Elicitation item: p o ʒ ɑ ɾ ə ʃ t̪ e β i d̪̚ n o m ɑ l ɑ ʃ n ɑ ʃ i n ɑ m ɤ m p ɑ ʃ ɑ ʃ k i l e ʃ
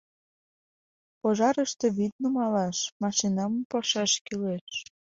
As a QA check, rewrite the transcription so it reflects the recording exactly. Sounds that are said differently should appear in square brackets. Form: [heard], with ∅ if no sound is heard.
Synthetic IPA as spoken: p o ʒ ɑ ɾ ə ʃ t̪ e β i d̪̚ n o m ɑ l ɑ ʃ [m] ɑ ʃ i n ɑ m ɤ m p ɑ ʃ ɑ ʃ k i l e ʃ